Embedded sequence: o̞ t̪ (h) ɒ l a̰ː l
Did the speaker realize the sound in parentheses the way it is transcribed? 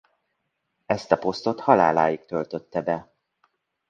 yes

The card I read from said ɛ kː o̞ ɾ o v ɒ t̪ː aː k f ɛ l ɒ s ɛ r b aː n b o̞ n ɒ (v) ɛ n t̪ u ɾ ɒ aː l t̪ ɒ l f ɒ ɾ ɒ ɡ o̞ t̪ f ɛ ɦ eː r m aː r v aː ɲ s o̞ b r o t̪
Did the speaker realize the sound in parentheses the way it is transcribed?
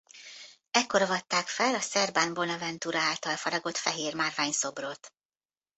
yes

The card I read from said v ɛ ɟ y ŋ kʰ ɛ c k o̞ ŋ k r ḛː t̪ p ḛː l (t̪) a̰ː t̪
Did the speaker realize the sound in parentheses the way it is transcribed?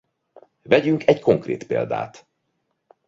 no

